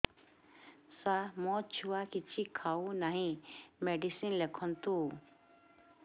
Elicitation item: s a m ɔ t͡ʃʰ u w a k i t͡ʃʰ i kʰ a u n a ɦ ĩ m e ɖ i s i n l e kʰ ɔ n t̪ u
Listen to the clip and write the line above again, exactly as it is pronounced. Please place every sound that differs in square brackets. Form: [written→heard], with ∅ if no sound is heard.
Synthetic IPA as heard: s a m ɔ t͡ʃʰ u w a k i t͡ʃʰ i kʰ a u n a ɦ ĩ m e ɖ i s i n l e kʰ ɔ n t̪ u